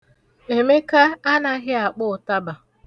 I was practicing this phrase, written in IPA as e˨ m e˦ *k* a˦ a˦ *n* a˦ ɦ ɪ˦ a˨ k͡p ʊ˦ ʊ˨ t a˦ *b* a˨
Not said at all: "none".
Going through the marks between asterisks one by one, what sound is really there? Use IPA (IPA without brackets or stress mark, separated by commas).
k, n, b